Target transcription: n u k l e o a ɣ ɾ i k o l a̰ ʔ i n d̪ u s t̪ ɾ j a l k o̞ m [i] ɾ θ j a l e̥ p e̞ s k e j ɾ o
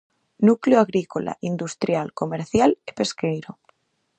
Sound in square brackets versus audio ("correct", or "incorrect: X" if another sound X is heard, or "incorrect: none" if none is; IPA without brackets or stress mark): incorrect: e